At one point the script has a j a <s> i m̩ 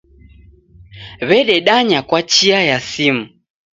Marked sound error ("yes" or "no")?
no